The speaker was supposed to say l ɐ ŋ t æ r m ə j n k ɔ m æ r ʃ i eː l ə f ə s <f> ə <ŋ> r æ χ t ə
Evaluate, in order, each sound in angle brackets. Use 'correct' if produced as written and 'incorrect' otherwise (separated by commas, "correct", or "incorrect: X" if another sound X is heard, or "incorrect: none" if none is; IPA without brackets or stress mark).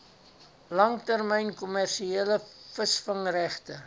correct, correct